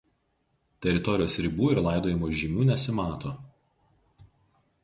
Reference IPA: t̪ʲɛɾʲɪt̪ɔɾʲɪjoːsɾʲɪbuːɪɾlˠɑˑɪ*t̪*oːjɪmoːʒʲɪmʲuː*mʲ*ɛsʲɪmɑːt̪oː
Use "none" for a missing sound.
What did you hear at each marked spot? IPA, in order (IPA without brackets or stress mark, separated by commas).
d̪, nʲ